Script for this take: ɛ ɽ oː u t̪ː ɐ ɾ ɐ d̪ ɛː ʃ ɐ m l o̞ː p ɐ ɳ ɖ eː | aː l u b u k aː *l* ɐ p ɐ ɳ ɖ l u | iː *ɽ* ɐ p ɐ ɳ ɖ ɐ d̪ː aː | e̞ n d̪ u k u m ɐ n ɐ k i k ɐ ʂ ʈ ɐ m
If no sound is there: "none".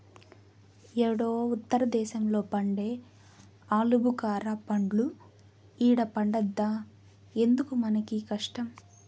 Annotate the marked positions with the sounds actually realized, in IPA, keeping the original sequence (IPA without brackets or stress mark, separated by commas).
ɾ, ɽ